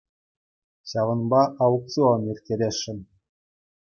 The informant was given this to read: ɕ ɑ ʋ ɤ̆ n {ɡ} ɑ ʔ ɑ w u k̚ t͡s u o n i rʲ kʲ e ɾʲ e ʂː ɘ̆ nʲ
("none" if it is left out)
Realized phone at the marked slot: b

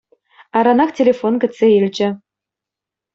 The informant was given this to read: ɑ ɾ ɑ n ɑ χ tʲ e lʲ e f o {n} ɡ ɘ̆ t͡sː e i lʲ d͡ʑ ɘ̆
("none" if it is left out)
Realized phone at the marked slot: n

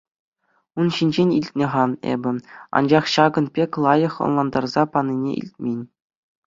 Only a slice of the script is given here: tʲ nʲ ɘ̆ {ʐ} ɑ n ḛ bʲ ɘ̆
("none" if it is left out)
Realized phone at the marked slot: ʁ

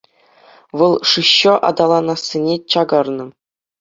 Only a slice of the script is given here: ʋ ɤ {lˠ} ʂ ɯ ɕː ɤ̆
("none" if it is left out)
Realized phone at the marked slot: lˠ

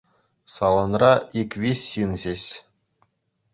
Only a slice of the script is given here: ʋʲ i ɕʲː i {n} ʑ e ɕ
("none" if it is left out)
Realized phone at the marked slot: n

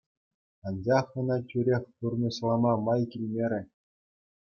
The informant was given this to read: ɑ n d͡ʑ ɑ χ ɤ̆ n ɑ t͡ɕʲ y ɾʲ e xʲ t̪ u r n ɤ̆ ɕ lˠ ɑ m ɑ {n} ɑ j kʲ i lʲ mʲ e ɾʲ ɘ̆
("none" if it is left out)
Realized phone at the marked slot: m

